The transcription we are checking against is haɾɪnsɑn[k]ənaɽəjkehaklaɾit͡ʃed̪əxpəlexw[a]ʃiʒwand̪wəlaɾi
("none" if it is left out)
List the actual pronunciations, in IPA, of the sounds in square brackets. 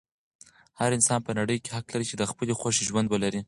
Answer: p, a

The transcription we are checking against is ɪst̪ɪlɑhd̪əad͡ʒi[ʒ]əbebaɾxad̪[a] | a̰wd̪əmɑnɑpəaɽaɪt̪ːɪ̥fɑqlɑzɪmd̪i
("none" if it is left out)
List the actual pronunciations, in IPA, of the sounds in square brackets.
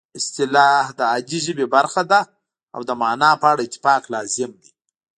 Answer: ʒ, a

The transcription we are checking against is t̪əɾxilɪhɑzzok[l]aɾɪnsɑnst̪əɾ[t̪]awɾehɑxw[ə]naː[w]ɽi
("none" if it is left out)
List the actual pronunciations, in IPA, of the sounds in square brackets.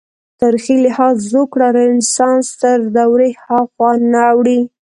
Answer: ɽ, d̪, ɑ, w

